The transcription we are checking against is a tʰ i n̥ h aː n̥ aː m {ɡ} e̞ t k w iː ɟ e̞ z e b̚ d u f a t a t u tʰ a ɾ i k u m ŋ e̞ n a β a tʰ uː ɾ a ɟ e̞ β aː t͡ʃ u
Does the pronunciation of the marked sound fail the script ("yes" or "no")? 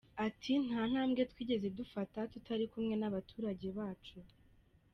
no